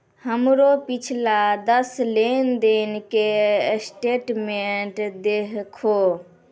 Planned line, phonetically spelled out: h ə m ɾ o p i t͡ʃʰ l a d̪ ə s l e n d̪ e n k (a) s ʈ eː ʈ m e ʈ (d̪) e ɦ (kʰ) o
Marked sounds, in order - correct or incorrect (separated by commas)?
incorrect, correct, correct